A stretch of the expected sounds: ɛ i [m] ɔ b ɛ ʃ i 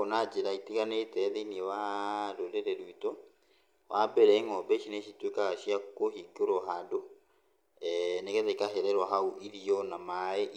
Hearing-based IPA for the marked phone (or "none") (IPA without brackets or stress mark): ŋ